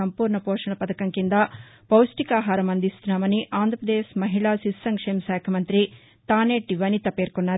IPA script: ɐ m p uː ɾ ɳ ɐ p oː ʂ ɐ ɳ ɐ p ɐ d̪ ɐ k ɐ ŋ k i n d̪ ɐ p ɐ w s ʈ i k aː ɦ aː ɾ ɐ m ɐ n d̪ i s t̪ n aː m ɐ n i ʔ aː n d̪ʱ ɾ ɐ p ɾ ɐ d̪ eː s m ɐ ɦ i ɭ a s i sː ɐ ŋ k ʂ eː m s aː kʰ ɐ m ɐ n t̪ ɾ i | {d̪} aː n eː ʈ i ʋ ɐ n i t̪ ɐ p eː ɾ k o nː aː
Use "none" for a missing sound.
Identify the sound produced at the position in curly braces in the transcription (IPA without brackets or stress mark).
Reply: t̪